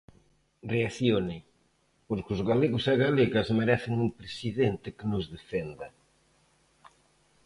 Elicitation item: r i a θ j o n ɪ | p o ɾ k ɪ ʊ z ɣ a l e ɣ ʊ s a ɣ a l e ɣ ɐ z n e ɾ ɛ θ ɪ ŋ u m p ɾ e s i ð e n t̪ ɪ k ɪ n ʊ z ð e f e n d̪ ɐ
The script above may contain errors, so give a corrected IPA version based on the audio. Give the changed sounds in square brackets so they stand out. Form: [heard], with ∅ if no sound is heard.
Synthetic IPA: r [e] a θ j o n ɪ | p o ɾ k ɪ ʊ z ɣ a l e ɣ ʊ s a ɣ a l e ɣ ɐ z [m] e ɾ ɛ θ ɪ ŋ u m p ɾ e s i ð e n t̪ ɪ k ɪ n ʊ z ð e f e n d̪ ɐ